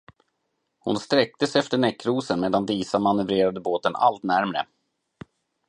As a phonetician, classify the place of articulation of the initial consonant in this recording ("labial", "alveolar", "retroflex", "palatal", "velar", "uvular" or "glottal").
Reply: glottal